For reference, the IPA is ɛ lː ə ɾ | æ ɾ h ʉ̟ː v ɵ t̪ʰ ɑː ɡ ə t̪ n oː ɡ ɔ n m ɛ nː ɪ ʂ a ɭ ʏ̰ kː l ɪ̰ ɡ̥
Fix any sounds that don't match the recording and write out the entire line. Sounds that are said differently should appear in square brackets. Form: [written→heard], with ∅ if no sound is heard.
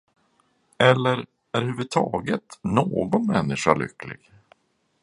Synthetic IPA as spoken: ɛ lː ə ɾ | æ ɾ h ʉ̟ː v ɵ t̪ʰ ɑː ɡ ə t̪ n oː ɡ ɔ n m ɛ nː ɪ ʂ a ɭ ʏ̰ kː l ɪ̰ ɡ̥